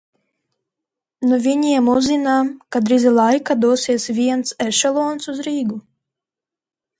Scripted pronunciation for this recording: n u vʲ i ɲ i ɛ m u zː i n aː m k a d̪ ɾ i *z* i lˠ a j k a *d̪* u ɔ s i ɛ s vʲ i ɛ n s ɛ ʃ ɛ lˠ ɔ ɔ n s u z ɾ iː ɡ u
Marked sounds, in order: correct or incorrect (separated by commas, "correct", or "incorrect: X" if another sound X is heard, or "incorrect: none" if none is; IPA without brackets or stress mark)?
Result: correct, correct